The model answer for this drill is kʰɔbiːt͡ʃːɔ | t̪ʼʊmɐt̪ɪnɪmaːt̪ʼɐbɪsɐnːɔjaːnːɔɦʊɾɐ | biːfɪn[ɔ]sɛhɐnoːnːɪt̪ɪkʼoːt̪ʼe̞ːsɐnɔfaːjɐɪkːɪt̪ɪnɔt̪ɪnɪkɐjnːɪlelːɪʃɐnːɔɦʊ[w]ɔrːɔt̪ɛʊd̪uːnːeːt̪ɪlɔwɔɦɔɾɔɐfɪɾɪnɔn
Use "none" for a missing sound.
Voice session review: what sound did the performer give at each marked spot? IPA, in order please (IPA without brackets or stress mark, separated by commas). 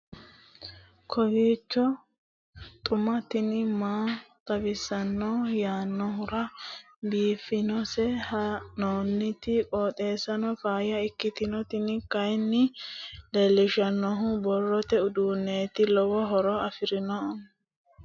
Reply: ɔ, b